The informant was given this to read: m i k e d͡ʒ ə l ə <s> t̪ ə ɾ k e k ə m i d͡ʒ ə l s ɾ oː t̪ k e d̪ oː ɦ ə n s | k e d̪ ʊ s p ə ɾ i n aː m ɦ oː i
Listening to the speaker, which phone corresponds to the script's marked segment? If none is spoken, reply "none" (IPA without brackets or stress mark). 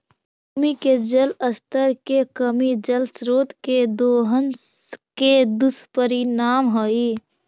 s